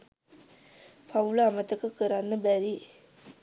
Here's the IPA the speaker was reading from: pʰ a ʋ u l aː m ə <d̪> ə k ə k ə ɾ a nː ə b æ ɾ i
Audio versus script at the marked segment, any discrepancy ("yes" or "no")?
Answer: yes